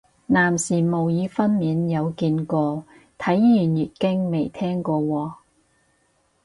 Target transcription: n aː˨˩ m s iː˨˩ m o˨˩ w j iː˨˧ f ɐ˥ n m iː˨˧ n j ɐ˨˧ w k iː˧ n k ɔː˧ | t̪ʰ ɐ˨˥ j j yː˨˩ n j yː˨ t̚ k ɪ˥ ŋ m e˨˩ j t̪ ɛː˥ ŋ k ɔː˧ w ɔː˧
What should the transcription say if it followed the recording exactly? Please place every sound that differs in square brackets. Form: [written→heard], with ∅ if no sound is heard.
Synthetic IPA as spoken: n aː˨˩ m s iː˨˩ m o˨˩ w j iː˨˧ f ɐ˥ n m iː˨˧ n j ɐ˨˧ w k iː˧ n k ɔː˧ | t̪ʰ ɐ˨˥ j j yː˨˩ n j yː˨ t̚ k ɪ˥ ŋ m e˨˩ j [t̪→t̪ʰ] ɛː˥ ŋ k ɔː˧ w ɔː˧